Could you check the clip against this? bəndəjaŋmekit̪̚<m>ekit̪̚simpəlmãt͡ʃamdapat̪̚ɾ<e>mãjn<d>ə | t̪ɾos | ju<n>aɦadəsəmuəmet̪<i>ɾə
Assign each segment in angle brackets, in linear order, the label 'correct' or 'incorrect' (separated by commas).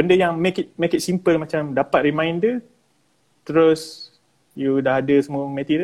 correct, incorrect, correct, incorrect, correct